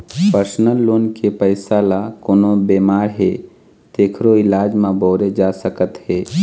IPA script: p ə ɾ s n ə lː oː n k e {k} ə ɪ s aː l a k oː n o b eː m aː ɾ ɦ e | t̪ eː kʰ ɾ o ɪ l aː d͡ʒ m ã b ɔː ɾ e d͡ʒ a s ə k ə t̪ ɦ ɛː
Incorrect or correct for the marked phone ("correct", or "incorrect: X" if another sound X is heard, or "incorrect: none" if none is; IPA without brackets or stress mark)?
incorrect: p